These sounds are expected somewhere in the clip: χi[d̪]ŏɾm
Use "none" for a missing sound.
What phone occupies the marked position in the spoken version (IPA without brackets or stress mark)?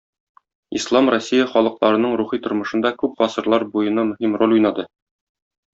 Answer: t̪